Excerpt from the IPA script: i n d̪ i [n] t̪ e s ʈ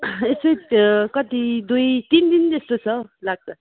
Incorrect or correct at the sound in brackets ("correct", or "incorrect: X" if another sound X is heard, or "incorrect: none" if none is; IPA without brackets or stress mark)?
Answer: correct